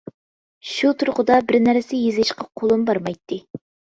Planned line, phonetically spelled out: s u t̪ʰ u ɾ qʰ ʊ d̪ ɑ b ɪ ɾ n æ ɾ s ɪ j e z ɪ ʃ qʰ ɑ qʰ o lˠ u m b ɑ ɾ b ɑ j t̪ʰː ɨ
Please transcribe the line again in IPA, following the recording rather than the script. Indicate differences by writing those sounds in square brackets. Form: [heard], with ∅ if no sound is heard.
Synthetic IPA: [ʃ] u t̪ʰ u ɾ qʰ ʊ d̪ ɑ b ɪ ɾ n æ ɾ s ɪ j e z ɪ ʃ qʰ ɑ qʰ o lˠ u m b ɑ ɾ [m] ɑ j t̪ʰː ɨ

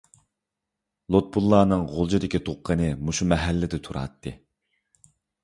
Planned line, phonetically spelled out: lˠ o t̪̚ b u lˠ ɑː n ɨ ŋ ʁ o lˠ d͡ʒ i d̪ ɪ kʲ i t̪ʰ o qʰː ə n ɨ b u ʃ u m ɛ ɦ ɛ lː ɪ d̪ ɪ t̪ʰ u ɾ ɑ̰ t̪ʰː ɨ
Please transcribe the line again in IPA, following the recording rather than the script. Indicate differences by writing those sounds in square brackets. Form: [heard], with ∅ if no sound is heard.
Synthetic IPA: lˠ o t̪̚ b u [lˠː] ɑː n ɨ ŋ ʁ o lˠ d͡ʒ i d̪ ɪ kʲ i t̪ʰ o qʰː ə n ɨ [m] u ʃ u m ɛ ɦ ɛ lː ɪ d̪ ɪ t̪ʰ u ɾ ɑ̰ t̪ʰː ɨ

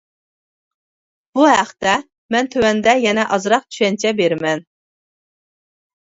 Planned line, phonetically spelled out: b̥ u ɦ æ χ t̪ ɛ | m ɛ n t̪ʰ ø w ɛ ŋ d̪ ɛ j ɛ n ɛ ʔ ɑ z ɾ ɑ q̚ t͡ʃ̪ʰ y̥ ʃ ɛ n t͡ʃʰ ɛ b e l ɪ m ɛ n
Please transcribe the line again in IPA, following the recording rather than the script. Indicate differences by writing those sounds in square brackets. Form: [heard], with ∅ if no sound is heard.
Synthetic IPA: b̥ u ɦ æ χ t̪ ɛ | m ɛ n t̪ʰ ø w ɛ [n] d̪ ɛ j ɛ n ɛ ʔ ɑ z ɾ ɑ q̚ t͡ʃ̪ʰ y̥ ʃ ɛ n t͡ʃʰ ɛ b e [ɾ] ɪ m ɛ n

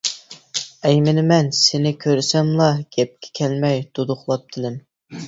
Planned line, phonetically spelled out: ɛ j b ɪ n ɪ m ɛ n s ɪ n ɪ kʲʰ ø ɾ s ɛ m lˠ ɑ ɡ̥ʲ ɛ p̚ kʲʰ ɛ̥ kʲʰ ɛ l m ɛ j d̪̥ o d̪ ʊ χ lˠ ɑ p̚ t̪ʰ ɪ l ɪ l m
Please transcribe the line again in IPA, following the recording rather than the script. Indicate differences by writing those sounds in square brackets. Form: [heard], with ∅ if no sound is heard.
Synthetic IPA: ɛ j [m] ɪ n ɪ m ɛ n s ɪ n ɪ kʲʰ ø ɾ s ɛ m lˠ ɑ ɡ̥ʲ ɛ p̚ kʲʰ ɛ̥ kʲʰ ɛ l m ɛ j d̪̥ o d̪ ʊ χ lˠ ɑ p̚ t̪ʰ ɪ l ɪ [∅] m

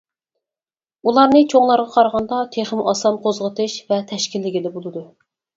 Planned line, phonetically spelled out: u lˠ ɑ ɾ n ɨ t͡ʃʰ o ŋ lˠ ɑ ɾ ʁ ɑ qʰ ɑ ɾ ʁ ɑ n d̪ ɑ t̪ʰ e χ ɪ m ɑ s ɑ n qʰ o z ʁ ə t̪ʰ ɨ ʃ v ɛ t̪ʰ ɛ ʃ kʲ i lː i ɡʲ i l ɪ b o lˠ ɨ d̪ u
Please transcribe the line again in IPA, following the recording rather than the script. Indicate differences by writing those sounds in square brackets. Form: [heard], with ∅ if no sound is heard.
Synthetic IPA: u lˠ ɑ ɾ n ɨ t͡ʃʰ o ŋ lˠ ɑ ɾ ʁ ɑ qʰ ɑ ɾ ʁ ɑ n d̪ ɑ t̪ʰ e χ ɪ m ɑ s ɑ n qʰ o z ʁ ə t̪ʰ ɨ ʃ v ɛ t̪ʰ ɛ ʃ kʲ i lː [ɪ] ɡʲ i l ɪ b o lˠ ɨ d̪ u

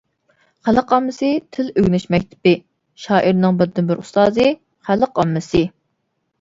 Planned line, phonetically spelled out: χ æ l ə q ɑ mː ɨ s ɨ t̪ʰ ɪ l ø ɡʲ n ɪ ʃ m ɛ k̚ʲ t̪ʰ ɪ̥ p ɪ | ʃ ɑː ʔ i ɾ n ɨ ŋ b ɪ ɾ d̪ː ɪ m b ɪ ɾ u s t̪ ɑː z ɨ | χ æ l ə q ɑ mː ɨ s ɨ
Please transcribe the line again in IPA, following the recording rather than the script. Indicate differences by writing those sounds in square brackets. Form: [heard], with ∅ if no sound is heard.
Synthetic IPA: χ æ l ə q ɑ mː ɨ s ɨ t̪ʰ ɪ l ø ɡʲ n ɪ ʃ m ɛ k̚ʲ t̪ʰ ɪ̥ p ɪ | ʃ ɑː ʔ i ɾ n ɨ ŋ b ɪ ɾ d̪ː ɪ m b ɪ ɾ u s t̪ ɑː z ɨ | χ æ l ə q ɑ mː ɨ s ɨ

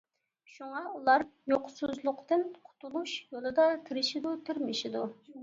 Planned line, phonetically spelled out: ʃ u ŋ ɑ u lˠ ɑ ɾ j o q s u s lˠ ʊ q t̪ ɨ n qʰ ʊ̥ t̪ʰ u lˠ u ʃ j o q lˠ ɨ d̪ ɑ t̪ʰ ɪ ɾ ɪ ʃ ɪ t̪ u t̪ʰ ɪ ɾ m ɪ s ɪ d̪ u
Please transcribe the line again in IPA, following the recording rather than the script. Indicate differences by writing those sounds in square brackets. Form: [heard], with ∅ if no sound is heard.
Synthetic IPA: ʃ u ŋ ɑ u lˠ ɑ ɾ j o q s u [z] lˠ ʊ q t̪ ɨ n qʰ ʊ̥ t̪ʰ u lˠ u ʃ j o [∅] lˠ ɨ d̪ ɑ t̪ʰ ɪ ɾ ɪ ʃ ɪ [d̪] u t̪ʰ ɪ ɾ m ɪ [ʃ] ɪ d̪ u

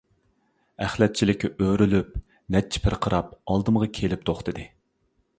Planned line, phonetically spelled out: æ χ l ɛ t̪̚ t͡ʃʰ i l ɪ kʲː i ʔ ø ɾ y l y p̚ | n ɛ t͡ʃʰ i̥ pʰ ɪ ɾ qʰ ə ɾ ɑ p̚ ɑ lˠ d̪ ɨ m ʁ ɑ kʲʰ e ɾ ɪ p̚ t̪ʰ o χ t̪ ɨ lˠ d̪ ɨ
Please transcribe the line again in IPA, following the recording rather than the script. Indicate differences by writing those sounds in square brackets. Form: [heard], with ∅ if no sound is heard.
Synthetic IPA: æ χ l ɛ t̪̚ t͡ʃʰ i l ɪ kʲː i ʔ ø ɾ y l y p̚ | n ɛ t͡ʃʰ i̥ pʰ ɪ ɾ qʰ ə ɾ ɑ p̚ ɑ lˠ d̪ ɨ m ʁ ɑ kʲʰ e [l] ɪ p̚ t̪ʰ o χ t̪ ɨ [∅] d̪ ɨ

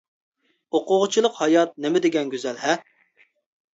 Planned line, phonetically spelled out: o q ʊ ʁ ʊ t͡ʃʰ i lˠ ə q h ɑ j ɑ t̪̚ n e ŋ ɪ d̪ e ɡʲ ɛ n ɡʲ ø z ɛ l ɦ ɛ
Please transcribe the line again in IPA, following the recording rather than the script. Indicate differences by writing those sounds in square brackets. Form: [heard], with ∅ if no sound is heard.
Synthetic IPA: o q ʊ ʁ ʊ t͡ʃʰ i lˠ ə q h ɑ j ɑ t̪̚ n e [m] ɪ d̪ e ɡʲ ɛ n ɡʲ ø z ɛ l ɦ ɛ

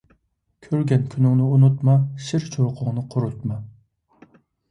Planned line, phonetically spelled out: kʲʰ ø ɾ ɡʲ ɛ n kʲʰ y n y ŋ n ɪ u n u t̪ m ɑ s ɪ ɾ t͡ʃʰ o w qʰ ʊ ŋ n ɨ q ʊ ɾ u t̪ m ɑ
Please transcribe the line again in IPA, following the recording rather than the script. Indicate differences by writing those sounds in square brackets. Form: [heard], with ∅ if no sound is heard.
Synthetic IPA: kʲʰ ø ɾ ɡʲ ɛ n kʲʰ y n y ŋ n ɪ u n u t̪ m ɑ [ʃ] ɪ ɾ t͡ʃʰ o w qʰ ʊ ŋ n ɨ [qʰ] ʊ ɾ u t̪ m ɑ

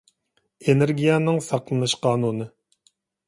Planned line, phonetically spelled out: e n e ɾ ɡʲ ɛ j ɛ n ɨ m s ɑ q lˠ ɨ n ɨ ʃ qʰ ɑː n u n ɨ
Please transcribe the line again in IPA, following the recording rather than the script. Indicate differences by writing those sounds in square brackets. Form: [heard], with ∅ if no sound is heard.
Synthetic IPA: e n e ɾ ɡʲ [i] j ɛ n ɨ [ŋ] s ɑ q lˠ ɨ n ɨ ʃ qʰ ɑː n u n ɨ

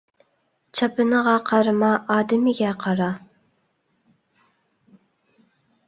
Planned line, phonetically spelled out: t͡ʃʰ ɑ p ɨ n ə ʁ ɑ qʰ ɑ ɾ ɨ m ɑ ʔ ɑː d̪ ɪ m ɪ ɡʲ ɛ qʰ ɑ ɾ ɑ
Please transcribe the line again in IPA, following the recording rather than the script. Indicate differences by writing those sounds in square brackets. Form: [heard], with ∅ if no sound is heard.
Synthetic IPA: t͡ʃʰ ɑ p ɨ n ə ʁ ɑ qʰ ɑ ɾ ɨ m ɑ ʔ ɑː d̪ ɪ m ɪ ɡʲ ɛ qʰ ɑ ɾ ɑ

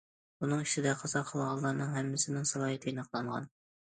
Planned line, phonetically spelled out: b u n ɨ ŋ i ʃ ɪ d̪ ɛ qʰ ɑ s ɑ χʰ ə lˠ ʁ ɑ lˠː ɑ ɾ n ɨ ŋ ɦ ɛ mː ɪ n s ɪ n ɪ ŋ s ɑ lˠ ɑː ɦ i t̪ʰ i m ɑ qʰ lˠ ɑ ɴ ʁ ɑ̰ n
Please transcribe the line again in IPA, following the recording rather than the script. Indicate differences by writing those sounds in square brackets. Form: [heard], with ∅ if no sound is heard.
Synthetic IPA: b u n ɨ ŋ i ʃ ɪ d̪ ɛ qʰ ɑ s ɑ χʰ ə lˠ ʁ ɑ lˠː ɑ ɾ n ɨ ŋ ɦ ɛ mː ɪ [∅] s ɪ n ɪ ŋ s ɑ lˠ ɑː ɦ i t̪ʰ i [n] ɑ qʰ lˠ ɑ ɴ ʁ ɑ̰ n

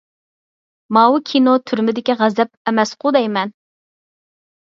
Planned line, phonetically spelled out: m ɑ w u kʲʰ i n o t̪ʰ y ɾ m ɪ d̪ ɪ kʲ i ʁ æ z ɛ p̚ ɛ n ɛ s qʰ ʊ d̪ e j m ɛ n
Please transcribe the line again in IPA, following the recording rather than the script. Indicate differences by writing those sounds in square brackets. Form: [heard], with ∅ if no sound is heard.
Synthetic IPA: m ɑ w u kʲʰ i n o t̪ʰ y ɾ m ɪ d̪ ɪ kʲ i ʁ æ z ɛ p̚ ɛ [m] ɛ s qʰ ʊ d̪ [ɛ] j m ɛ n

